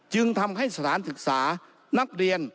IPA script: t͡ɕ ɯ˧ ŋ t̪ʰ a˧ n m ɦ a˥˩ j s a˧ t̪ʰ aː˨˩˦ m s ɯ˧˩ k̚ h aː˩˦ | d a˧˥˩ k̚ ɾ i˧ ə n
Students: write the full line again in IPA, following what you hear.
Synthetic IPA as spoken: t͡ɕ ɯ˧ ŋ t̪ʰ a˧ m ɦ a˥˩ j s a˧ t̪ʰ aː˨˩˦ n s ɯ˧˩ k̚ s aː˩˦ | n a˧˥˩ k̚ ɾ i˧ ə n